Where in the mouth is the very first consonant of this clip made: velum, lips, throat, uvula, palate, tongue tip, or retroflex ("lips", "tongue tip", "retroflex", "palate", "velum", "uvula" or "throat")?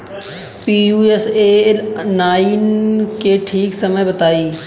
lips